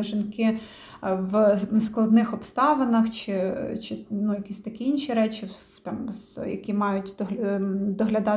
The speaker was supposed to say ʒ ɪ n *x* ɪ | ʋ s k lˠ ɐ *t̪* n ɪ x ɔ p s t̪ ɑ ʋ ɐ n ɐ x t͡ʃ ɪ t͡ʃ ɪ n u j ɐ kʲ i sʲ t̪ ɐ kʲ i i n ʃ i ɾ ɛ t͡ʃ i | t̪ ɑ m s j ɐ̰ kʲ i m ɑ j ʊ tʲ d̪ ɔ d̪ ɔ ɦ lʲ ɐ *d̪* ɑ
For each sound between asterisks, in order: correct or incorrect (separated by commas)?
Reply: incorrect, incorrect, correct